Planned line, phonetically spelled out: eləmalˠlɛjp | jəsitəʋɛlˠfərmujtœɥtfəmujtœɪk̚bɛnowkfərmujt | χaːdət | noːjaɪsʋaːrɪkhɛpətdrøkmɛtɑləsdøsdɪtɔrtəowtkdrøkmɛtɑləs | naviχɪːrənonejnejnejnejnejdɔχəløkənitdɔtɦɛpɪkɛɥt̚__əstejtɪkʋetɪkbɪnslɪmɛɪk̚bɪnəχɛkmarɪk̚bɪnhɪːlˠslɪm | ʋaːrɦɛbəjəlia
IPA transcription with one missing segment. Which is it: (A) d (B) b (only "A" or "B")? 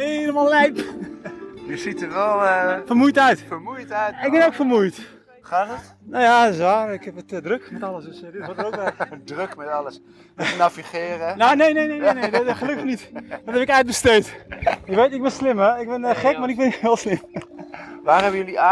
B